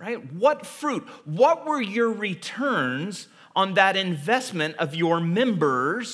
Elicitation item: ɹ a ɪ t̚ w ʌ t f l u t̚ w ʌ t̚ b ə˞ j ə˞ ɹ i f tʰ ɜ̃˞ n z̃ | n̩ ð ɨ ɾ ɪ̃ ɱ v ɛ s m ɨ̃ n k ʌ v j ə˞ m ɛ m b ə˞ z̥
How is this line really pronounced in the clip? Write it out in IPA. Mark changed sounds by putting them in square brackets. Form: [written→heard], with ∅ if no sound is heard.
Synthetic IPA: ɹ a ɪ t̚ w ʌ t f [l→ɹ] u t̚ w ʌ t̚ [b→w] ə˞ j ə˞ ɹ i [f→∅] tʰ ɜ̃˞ n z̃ | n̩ ð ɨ ɾ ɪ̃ ɱ v ɛ s m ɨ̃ n [k→t] ʌ v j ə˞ m [ɛ→ɛ̃] m b ə˞ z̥